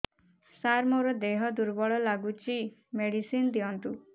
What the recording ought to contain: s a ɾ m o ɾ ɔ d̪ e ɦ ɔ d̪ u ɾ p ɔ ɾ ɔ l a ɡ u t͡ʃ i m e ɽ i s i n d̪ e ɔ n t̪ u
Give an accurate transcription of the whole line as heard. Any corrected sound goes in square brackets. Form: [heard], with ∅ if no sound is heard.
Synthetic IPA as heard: s a ɾ m o ɾ ɔ d̪ e ɦ ɔ d̪ u ɾ [b] ɔ [ɭ] ɔ l a ɡ u t͡ʃ i m e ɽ i s i n d̪ [i] ɔ n t̪ u

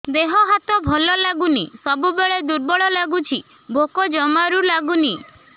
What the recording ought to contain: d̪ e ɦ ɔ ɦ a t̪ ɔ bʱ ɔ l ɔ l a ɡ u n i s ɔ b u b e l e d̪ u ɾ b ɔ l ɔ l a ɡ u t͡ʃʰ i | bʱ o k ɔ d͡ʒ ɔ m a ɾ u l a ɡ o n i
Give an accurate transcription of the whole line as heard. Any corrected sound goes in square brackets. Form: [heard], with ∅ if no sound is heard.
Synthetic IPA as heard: d̪ e ɦ ɔ ɦ a t̪ ɔ bʱ ɔ l ɔ l a ɡ u n i s ɔ b u b e [ɭ] e d̪ u ɾ b ɔ [ɭ] ɔ l a ɡ u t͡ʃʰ i | bʱ o k ɔ d͡ʒ ɔ m a ɾ u l a ɡ [u] n i

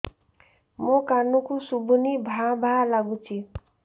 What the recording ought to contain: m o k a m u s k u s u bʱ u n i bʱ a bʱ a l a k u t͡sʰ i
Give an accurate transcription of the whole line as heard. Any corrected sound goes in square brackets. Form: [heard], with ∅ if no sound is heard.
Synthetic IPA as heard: m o k a [n] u [∅] k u s u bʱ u n i bʱ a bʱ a l a [ɡ] u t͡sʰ i

